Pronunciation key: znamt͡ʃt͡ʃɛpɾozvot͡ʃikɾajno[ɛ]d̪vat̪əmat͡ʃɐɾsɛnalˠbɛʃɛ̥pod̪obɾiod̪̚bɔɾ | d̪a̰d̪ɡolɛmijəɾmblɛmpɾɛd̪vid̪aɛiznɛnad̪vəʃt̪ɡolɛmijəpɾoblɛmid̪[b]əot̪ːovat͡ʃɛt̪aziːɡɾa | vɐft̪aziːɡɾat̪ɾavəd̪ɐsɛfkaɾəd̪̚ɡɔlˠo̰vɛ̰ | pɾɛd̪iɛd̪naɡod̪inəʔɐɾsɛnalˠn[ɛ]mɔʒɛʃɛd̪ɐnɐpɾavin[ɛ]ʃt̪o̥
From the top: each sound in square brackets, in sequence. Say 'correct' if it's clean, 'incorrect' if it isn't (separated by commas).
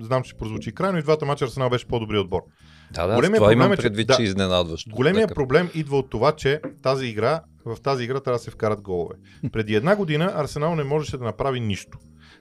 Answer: incorrect, incorrect, correct, incorrect